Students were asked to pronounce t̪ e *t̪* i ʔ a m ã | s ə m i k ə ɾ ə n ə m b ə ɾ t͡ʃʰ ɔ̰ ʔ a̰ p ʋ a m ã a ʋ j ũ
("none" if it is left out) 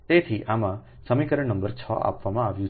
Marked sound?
t̪ʰ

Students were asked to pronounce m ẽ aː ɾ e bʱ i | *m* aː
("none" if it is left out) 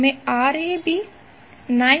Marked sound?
n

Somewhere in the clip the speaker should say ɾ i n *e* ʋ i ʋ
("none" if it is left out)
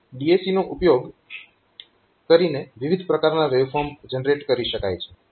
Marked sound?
e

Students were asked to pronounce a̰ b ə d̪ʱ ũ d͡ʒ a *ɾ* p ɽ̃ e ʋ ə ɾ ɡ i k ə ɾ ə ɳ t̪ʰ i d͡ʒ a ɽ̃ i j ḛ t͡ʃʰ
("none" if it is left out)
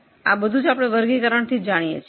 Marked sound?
none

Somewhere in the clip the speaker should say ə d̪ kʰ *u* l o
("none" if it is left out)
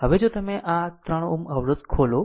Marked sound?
o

